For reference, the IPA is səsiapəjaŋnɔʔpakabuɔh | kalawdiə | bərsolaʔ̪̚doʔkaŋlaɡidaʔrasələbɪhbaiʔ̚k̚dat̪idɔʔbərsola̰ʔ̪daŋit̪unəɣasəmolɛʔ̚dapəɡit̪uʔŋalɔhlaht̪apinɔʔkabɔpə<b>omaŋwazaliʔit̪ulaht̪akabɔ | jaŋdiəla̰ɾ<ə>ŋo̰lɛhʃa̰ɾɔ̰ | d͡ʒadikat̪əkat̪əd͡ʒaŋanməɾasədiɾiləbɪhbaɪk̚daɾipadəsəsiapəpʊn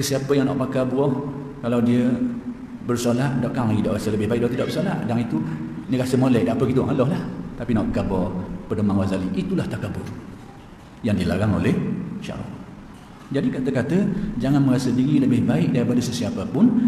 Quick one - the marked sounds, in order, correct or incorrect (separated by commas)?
incorrect, incorrect